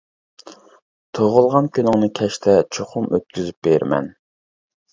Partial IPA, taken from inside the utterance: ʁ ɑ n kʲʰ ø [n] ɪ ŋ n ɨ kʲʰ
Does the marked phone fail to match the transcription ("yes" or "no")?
no